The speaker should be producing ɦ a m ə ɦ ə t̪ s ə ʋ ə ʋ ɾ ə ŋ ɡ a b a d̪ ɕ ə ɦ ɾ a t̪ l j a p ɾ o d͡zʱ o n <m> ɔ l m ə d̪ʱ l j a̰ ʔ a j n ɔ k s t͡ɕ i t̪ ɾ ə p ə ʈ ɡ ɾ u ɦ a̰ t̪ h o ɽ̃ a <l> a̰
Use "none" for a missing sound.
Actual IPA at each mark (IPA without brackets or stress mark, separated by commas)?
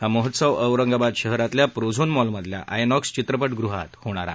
m, ɾ